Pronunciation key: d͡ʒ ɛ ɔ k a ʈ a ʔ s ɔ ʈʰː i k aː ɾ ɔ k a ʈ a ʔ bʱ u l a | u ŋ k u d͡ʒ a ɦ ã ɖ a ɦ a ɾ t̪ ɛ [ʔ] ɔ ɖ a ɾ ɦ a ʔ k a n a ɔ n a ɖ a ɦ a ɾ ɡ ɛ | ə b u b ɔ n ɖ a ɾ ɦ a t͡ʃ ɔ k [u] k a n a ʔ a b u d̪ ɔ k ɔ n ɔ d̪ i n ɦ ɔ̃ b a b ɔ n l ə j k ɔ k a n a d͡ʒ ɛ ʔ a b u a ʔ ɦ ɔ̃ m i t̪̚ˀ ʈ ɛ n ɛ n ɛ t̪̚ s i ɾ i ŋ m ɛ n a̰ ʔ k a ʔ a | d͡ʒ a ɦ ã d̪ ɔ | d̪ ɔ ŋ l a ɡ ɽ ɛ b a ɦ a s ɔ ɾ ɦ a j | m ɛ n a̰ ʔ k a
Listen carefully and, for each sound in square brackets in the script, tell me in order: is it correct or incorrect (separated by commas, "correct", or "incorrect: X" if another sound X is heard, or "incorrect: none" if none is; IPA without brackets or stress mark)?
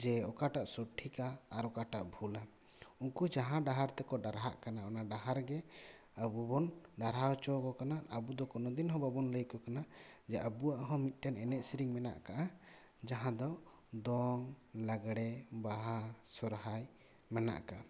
incorrect: k, incorrect: ɔ